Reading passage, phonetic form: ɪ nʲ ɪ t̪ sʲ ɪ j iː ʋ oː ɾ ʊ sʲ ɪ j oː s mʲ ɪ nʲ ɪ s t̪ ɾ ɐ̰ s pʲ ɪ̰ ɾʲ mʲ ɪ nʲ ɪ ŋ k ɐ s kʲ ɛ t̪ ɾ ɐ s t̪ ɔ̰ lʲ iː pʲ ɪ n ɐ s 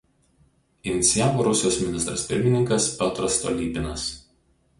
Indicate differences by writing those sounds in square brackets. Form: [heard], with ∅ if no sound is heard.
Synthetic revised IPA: ɪ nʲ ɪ t̪ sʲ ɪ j [aː] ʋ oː ɾ ʊ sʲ ɪ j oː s mʲ ɪ nʲ ɪ s t̪ ɾ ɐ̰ s pʲ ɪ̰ ɾʲ mʲ ɪ nʲ ɪ ŋ k ɐ s [pʲ] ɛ t̪ ɾ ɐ s t̪ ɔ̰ lʲ iː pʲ ɪ n ɐ s